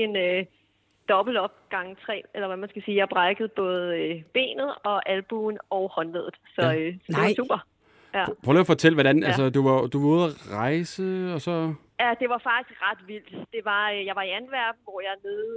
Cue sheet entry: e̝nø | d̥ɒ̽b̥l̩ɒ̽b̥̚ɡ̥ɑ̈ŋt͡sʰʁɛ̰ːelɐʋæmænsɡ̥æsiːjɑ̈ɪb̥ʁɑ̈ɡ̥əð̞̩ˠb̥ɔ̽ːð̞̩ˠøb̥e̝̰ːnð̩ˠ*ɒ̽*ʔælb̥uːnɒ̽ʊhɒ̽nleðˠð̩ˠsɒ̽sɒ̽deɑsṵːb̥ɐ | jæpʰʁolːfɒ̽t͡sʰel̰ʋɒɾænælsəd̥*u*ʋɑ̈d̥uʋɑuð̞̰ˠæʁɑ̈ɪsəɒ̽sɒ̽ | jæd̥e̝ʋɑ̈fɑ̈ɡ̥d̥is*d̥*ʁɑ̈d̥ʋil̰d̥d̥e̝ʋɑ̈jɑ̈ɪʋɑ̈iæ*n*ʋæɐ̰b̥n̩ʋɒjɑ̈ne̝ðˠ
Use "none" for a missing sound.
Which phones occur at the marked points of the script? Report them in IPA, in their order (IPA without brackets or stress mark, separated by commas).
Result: ɒ̽, u, ɡ̥, n